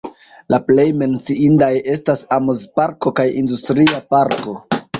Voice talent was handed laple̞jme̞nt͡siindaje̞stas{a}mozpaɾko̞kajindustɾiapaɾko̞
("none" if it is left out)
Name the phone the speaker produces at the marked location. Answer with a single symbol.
a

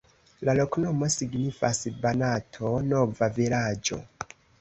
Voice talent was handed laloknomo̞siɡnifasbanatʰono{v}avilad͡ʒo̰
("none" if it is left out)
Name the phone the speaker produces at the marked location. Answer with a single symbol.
v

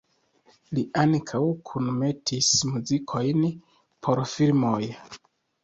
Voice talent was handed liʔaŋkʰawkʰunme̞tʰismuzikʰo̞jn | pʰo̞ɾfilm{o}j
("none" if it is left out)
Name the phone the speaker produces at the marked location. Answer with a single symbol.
o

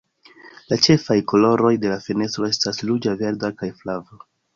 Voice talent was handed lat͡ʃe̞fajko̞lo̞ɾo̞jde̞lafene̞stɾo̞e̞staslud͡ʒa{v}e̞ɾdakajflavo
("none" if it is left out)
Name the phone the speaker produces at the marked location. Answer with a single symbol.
v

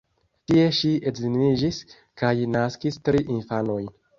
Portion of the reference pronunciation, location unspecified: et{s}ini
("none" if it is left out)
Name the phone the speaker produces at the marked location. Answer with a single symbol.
z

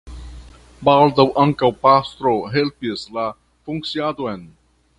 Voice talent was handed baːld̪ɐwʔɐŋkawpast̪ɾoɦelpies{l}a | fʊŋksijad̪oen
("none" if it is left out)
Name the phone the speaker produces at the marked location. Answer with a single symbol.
l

